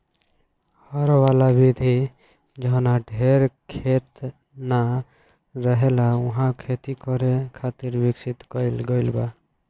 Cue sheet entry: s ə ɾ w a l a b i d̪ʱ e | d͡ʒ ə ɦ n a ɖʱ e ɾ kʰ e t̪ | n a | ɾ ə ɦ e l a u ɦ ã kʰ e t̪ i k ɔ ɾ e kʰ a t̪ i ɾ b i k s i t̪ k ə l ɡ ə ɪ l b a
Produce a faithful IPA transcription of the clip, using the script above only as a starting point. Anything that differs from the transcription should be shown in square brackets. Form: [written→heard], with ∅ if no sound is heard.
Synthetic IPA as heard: [s→h] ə ɾ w a l a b i d̪ʱ [e→i] | d͡ʒ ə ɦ n a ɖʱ e ɾ kʰ e t̪ | n a | ɾ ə ɦ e l a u ɦ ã kʰ e t̪ i k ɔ ɾ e kʰ a t̪ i ɾ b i k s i t̪ k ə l ɡ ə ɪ l b a